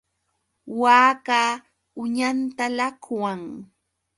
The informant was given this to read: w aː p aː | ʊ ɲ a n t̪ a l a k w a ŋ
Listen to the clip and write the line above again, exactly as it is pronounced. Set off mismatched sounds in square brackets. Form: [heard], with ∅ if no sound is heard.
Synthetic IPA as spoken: w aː [k] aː | ʊ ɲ a n t̪ a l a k w a ŋ